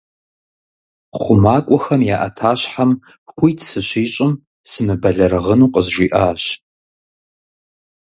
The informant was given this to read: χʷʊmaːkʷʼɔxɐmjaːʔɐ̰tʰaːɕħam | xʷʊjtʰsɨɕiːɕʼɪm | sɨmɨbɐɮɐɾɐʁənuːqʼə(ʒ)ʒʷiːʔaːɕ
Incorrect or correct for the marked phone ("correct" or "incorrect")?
incorrect